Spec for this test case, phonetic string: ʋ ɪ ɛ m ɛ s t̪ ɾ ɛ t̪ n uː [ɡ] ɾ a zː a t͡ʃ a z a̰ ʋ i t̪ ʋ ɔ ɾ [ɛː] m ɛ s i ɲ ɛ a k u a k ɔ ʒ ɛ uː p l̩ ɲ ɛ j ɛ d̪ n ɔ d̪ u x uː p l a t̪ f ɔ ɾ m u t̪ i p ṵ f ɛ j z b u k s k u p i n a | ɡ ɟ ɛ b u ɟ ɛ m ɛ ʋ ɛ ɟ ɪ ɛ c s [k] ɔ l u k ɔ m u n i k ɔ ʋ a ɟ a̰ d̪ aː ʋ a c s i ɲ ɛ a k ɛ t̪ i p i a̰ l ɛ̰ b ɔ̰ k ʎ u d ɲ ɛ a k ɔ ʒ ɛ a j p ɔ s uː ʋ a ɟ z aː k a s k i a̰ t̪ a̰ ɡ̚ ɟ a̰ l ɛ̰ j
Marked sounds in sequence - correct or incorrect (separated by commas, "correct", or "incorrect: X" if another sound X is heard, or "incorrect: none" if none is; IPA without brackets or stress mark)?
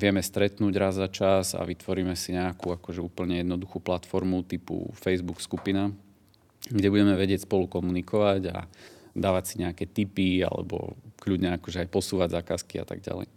incorrect: ɟ, incorrect: iː, incorrect: p